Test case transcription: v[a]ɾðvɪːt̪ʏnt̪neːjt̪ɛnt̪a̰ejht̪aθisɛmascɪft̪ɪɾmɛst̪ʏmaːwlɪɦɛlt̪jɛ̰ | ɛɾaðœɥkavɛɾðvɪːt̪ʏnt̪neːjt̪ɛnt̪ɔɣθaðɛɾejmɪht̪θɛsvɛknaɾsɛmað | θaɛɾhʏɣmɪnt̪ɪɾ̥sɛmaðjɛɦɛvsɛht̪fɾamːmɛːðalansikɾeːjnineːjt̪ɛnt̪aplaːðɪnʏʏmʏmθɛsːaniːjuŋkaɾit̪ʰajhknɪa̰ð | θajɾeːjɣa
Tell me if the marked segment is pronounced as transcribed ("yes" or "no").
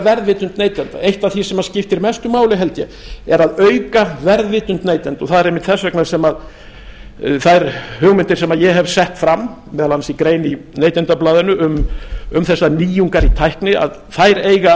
no